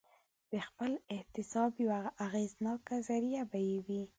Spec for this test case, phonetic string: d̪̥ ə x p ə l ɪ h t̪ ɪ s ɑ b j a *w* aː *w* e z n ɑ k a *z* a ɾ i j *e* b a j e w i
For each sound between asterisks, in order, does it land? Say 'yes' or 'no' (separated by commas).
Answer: yes, no, yes, no